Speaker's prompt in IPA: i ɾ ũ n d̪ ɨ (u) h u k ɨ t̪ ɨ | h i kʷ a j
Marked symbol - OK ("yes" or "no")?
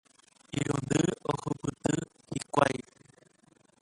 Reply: no